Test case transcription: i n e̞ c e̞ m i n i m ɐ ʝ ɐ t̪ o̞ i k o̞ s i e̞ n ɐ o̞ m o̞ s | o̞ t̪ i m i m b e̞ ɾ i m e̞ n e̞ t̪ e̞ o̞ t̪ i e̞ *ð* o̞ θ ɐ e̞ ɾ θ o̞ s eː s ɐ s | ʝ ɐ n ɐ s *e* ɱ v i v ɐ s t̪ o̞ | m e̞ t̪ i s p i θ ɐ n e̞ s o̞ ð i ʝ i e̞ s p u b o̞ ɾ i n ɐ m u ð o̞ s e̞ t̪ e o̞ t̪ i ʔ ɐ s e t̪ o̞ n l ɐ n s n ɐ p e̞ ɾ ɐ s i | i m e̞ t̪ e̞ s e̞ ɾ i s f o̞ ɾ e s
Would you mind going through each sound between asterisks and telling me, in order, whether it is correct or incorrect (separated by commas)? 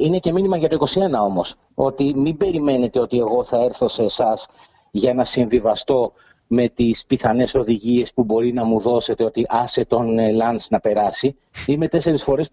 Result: incorrect, incorrect